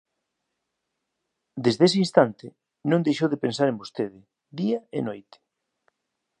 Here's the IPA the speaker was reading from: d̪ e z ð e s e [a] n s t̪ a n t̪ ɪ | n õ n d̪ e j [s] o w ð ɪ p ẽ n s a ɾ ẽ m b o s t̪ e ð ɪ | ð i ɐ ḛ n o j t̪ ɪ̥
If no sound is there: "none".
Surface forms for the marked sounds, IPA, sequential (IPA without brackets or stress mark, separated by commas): i, ʃ